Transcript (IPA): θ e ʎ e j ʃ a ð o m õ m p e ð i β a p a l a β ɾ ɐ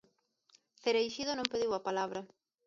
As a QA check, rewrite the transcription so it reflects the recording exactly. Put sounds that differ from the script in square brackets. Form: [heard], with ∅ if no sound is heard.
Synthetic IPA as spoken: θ e [ɾ] e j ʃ [i] ð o [n] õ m p e ð i [w] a p a l a β ɾ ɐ